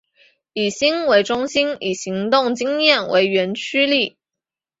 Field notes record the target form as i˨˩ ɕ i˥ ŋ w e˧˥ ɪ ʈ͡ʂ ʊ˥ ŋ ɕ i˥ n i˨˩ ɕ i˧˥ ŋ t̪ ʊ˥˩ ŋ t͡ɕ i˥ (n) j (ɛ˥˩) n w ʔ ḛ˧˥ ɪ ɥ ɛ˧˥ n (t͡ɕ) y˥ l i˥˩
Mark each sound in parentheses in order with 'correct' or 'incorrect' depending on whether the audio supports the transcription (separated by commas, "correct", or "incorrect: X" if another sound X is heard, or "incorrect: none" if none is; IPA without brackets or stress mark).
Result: incorrect: ŋ, correct, incorrect: t͡ɕʰ